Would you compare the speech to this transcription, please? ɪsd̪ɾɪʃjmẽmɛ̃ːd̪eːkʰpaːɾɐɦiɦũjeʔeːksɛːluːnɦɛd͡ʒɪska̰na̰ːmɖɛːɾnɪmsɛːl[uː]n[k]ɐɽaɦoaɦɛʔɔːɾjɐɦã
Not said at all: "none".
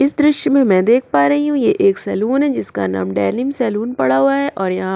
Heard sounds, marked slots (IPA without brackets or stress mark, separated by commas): uː, p